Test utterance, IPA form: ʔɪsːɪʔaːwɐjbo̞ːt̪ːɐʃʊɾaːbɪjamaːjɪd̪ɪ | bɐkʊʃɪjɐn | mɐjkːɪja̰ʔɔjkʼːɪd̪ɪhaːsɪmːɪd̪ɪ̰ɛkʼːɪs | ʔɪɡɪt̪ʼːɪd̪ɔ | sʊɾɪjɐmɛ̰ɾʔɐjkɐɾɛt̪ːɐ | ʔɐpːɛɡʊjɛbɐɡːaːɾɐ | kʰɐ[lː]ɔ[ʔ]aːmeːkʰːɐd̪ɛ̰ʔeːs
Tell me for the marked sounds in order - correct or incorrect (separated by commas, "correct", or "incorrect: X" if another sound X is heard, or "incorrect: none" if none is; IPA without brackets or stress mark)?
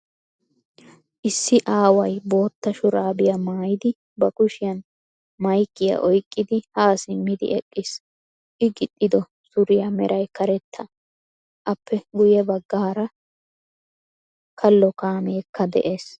correct, incorrect: k